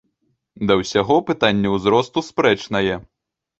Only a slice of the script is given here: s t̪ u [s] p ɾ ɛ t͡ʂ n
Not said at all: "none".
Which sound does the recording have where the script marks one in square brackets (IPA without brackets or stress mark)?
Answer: s